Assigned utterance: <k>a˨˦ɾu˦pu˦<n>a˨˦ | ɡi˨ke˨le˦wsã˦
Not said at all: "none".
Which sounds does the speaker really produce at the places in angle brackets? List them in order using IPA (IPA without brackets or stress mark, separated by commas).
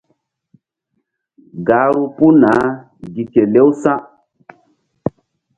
ɡ, n